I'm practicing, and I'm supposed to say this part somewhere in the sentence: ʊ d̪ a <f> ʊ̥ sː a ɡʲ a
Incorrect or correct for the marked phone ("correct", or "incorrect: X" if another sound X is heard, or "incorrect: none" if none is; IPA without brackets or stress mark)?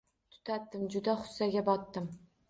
incorrect: χ